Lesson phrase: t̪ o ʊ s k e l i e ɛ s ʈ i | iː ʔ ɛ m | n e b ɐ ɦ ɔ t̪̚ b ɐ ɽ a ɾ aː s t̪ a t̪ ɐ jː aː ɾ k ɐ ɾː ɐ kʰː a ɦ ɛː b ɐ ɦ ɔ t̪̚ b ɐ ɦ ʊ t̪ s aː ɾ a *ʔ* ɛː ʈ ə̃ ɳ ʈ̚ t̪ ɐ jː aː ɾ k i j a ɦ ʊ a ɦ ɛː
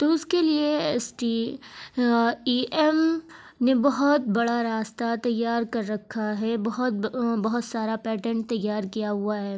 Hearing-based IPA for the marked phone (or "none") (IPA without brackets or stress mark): p